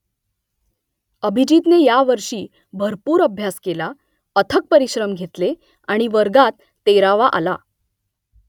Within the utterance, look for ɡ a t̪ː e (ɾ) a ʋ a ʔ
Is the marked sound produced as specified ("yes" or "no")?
yes